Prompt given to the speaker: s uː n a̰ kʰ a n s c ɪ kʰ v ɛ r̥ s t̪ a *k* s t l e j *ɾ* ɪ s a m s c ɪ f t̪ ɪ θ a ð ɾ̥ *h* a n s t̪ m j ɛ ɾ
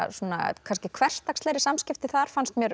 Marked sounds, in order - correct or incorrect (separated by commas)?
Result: correct, correct, incorrect